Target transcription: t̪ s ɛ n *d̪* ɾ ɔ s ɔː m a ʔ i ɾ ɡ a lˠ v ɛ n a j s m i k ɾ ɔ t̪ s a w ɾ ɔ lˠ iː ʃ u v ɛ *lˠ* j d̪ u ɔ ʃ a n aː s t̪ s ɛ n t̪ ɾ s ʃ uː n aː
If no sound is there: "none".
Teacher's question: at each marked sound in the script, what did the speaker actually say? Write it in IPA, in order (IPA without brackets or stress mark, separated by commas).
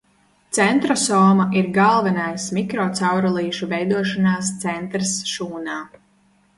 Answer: t̪, none